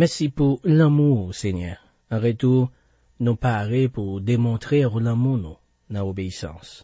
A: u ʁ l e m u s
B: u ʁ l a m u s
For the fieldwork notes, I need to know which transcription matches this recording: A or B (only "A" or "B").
B